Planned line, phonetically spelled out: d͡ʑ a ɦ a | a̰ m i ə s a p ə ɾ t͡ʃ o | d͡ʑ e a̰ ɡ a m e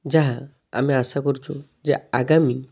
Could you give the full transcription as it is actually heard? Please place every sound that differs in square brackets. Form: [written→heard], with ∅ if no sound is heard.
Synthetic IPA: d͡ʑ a ɦ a | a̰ m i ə s a [p→k] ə ɾ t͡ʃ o | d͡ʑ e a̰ ɡ a m [e→i]